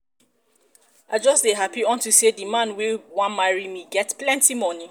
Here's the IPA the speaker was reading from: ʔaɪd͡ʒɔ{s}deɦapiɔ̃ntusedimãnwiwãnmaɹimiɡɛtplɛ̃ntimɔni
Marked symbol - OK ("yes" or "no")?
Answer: yes